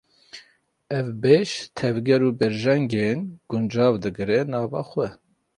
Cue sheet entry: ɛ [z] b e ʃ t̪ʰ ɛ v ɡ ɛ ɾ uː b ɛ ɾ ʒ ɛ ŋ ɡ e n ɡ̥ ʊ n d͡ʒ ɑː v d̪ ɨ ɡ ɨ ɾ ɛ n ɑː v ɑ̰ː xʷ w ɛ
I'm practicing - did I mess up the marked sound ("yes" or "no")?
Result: yes